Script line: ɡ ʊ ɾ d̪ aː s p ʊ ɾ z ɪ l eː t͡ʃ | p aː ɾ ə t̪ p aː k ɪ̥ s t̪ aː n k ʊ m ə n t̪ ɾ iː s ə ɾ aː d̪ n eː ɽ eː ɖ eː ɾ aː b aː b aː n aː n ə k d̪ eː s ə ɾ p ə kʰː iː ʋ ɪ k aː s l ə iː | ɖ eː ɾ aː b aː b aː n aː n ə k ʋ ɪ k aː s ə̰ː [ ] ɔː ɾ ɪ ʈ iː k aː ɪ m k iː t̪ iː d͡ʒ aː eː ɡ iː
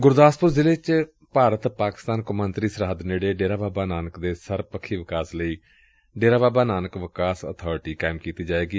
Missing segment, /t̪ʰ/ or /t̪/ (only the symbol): t̪ʰ